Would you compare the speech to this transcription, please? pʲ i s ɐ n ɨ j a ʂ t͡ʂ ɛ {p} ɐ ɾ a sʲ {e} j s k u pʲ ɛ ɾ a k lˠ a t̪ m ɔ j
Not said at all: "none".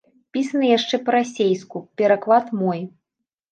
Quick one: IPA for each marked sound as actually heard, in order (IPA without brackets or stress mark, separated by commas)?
p, e